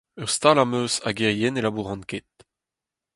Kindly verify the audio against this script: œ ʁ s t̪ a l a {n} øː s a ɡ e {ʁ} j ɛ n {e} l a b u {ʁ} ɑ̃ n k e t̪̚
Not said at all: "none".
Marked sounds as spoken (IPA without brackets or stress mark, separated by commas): m, ʁ, e, ʁ